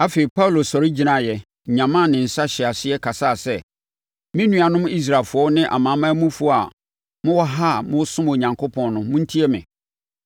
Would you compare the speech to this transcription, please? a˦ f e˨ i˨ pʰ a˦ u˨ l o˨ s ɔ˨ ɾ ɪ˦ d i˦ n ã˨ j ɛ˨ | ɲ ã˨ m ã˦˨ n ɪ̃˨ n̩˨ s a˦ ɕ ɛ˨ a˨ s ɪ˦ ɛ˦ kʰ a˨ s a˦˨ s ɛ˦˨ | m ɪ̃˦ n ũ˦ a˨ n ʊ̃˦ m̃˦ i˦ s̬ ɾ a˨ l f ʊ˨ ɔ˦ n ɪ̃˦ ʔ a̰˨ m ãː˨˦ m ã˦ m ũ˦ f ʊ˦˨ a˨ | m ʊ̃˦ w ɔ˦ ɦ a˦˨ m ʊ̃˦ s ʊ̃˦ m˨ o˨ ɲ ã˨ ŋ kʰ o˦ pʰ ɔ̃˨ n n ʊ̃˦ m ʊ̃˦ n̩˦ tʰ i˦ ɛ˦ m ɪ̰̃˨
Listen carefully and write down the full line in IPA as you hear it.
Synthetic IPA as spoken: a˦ f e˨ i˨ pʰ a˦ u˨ l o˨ s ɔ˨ ɾ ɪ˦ d͡ʑ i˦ n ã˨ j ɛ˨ | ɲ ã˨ m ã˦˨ n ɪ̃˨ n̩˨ s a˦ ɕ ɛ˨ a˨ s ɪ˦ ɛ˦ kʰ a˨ s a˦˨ s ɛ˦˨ | m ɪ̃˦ n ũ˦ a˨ n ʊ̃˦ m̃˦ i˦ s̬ ɾ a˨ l f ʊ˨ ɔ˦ n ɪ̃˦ ʔ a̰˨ m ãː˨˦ m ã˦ m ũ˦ f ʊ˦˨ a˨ | m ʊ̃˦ w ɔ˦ ɦ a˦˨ m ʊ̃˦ s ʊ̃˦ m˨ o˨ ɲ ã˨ ŋ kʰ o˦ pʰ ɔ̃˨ n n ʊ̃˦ m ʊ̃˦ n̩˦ tʰ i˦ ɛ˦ m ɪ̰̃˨